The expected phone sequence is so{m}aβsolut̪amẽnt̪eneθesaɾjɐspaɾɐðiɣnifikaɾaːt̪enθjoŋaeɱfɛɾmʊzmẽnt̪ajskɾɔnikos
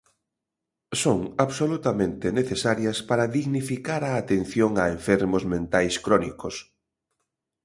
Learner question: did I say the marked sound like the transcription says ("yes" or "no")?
no